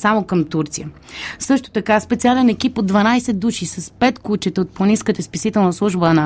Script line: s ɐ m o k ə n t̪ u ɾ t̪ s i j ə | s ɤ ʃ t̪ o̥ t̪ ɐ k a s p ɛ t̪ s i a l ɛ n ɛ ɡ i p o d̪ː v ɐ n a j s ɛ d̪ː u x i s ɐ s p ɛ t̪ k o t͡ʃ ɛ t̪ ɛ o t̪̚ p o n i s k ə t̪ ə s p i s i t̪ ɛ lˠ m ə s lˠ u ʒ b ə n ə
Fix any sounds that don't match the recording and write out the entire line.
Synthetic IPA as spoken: s a m o k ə m t̪ u ɾ t̪ s i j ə | s ɤ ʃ t̪ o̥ t̪ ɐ k a s p ɛ t̪ s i a l ɛ n ɛ k i p o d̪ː v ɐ n a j s ɛ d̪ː u ʃ i s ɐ s p ɛ t̪ k u t͡ʃ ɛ t̪ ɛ o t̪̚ p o n i s k ə t̪ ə s p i s i t̪ ɛ lˠ n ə s lˠ u ʒ b ə n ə